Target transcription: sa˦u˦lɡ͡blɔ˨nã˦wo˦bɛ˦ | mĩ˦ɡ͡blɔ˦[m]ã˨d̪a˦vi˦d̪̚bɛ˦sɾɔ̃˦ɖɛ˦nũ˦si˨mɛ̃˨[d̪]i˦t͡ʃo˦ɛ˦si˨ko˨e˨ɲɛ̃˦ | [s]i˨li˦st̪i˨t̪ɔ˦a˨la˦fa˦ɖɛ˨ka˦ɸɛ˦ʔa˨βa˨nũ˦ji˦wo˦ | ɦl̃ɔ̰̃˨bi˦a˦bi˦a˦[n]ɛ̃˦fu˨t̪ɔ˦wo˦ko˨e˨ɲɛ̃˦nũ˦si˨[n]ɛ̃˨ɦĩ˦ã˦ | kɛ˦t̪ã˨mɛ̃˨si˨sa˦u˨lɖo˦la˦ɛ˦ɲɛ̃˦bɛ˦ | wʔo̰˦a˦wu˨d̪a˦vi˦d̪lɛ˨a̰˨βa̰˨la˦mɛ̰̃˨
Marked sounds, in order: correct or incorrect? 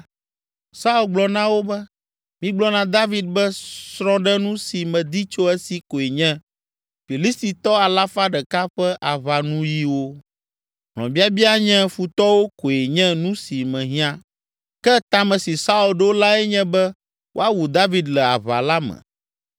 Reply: incorrect, correct, incorrect, incorrect, incorrect

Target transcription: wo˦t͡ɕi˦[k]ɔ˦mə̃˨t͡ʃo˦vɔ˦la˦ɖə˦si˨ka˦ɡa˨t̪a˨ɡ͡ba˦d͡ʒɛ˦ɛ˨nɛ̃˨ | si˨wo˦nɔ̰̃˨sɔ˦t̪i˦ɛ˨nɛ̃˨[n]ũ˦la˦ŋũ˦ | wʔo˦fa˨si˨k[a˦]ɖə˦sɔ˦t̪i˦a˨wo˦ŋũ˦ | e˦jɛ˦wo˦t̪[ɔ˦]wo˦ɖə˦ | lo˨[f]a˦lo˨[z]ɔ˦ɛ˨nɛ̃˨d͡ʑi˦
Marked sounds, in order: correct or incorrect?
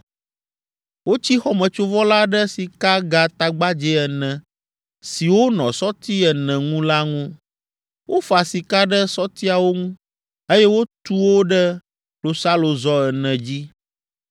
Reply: incorrect, incorrect, correct, incorrect, incorrect, correct

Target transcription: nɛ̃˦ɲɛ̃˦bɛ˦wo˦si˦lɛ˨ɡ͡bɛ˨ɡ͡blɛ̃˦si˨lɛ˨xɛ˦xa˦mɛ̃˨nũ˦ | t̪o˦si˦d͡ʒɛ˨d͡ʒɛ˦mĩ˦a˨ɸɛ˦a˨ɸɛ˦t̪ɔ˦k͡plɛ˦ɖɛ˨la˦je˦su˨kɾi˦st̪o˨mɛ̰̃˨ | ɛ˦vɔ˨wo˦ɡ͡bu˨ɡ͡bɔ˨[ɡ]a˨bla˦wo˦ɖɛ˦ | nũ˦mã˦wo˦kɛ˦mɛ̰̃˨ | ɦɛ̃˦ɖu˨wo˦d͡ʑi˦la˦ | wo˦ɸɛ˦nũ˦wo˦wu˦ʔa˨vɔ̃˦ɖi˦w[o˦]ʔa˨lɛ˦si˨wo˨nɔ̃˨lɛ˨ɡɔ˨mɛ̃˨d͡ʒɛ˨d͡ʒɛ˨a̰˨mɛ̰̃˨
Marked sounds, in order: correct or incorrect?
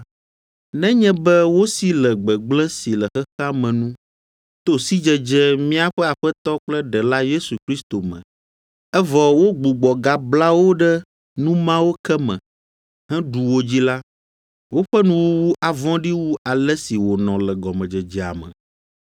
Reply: correct, incorrect

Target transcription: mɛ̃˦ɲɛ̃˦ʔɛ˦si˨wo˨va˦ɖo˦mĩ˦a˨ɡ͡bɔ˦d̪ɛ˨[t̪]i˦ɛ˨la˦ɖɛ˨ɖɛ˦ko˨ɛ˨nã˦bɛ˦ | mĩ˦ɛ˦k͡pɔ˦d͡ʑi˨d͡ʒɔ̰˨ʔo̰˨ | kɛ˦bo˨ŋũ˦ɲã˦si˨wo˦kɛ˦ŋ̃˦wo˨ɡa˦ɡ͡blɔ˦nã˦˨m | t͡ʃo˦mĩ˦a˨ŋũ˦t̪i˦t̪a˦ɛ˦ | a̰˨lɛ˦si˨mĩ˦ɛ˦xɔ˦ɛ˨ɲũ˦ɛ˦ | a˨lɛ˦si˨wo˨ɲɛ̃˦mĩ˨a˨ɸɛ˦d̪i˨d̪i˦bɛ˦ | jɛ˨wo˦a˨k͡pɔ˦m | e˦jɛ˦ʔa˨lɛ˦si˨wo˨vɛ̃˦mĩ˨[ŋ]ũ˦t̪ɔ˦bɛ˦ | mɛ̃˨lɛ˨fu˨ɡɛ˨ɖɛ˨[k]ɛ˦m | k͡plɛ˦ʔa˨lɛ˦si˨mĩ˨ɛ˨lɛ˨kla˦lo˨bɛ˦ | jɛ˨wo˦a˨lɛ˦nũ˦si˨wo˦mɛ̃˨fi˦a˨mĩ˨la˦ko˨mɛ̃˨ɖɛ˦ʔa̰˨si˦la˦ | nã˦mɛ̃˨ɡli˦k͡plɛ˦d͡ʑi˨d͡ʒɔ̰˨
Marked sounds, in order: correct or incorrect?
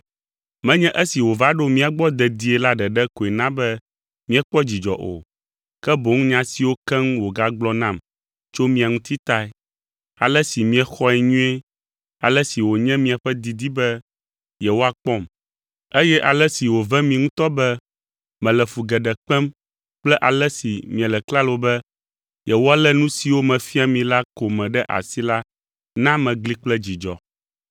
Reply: incorrect, correct, incorrect

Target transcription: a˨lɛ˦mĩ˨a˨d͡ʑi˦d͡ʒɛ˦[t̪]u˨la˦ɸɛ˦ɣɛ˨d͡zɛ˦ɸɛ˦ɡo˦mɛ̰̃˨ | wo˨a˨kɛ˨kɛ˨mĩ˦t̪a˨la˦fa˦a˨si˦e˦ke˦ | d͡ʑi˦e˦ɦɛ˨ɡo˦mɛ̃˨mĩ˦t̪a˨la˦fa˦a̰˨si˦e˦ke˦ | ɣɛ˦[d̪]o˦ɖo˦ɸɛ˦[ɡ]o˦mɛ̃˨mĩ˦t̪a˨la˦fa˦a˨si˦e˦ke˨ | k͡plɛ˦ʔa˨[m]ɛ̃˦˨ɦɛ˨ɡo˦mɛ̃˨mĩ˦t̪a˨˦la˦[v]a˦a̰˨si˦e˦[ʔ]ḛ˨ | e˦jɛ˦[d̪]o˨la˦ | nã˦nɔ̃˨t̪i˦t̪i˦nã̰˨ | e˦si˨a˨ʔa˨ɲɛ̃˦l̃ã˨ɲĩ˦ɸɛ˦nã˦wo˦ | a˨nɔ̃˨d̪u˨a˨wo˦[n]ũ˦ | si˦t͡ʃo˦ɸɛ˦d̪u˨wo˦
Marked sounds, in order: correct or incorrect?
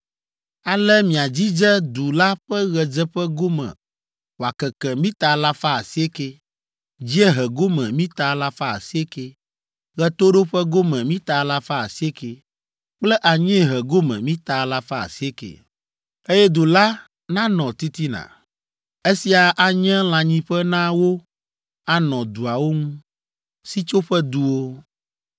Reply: incorrect, incorrect, correct, incorrect, incorrect, incorrect, correct, incorrect

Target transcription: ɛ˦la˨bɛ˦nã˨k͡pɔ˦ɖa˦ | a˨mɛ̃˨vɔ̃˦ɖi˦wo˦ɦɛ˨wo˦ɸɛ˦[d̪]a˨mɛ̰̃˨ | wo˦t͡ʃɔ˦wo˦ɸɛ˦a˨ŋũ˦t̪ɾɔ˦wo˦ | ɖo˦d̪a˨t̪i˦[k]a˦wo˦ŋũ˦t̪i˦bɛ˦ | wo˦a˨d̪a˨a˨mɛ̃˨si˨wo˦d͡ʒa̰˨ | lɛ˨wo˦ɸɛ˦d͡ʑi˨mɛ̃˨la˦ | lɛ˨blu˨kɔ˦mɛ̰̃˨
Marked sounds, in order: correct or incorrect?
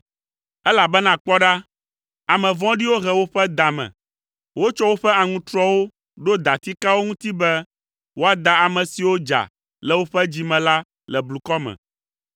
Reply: correct, correct

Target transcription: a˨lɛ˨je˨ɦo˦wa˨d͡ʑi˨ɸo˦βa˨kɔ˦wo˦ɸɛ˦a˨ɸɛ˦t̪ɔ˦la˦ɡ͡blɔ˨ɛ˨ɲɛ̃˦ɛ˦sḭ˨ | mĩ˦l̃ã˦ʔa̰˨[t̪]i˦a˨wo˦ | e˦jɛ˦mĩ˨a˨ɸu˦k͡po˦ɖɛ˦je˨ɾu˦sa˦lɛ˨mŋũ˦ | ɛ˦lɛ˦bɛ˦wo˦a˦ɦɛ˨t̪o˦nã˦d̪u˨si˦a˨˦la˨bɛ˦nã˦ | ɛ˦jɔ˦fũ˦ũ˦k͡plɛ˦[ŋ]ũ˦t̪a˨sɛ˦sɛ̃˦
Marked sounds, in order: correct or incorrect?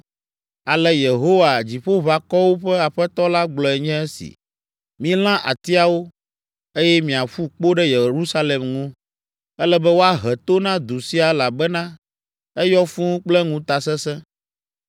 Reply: correct, correct

